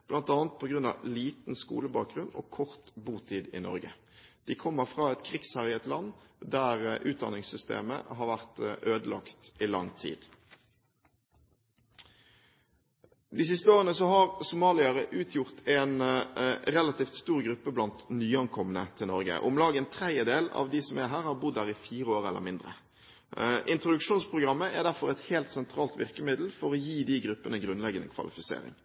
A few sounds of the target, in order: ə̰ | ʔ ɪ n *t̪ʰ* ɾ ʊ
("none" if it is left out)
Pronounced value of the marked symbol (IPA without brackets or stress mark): t̪